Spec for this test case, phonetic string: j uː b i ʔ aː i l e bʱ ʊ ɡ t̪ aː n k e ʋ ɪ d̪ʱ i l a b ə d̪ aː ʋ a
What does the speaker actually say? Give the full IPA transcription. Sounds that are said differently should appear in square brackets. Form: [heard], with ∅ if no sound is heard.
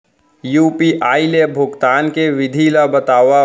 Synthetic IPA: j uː [p] i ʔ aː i l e bʱ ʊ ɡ t̪ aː n k e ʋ ɪ d̪ʱ i l a b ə [t̪] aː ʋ a